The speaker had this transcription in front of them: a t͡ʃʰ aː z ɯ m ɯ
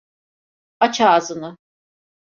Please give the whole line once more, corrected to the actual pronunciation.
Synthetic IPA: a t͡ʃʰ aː z ɯ n ɯ